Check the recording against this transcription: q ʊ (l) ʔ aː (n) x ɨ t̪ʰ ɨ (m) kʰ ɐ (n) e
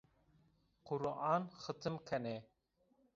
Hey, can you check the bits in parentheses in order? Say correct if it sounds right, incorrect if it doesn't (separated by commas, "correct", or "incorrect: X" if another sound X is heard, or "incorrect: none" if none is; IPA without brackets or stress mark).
incorrect: ɾ, correct, correct, correct